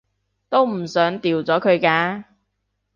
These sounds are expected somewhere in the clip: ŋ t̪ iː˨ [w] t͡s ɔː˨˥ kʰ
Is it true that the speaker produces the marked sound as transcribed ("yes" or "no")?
yes